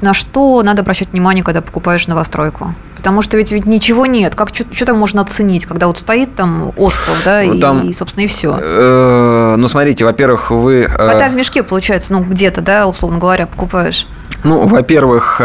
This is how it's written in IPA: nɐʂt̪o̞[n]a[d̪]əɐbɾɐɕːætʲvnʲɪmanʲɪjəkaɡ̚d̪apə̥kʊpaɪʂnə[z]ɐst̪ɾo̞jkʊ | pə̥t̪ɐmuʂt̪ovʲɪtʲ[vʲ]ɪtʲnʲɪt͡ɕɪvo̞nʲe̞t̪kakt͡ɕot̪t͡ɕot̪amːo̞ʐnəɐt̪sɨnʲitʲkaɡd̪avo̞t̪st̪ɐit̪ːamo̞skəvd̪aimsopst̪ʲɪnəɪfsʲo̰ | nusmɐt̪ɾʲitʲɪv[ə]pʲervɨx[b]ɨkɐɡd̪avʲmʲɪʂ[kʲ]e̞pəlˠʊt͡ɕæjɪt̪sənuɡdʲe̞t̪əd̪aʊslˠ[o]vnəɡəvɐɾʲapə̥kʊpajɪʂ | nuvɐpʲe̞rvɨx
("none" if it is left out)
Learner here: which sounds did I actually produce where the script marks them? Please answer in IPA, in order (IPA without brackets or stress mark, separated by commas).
n, d̪, v, vʲ, ɐ, v, kʲ, o